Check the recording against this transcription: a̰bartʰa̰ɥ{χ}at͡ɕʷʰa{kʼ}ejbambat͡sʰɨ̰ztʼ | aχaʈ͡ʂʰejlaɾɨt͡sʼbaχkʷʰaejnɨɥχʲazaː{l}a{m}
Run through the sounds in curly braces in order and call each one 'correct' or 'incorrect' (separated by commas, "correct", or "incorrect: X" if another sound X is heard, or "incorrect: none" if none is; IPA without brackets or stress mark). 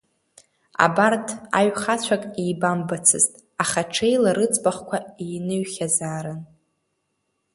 correct, correct, incorrect: ɾ, incorrect: n